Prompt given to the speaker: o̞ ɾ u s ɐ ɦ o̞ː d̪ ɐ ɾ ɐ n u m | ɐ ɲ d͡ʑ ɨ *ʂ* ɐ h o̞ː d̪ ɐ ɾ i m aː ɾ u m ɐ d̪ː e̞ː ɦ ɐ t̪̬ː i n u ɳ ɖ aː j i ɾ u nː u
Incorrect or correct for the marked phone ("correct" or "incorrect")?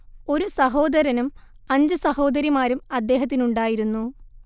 incorrect